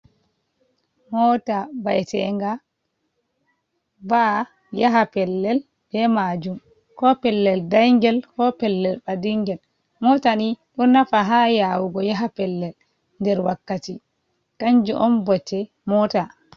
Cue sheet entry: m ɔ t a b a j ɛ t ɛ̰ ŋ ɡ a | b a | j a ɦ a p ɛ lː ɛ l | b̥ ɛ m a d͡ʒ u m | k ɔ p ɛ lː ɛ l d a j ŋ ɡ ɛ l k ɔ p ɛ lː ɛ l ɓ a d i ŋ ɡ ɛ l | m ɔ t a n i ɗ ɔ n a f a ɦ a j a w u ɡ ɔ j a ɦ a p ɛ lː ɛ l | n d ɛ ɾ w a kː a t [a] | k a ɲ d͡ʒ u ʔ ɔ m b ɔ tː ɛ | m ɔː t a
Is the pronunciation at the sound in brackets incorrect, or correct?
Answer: incorrect